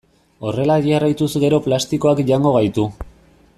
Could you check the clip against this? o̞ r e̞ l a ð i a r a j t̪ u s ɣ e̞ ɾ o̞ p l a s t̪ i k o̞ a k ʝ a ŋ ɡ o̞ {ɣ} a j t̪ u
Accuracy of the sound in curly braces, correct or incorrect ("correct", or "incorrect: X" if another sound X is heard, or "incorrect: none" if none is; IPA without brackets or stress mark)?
correct